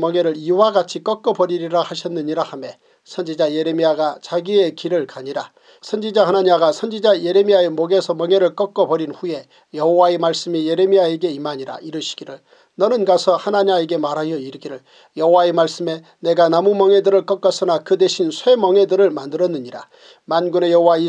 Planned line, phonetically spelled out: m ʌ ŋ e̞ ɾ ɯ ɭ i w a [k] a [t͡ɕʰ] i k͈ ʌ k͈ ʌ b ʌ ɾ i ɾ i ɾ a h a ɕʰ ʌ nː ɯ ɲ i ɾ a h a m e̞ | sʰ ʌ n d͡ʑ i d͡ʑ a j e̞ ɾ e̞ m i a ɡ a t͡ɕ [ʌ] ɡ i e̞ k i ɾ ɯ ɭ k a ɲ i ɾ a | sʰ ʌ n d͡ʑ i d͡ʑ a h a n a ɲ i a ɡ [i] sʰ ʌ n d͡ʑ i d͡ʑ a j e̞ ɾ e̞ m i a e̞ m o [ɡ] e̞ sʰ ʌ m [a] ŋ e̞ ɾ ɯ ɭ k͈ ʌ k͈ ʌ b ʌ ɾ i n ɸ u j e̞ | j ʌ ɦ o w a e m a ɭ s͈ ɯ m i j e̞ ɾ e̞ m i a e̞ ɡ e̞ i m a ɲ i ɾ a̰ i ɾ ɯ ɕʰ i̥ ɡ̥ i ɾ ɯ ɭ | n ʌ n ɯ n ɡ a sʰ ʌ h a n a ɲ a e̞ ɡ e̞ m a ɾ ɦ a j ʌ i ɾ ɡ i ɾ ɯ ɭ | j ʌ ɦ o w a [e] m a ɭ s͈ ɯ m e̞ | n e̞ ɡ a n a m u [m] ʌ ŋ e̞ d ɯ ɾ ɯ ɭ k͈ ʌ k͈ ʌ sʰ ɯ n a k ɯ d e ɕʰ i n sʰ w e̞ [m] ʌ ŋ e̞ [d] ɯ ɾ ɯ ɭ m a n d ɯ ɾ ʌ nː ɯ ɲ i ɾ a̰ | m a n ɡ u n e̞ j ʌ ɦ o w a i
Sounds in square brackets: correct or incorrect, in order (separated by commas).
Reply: incorrect, correct, incorrect, incorrect, correct, incorrect, correct, correct, correct, correct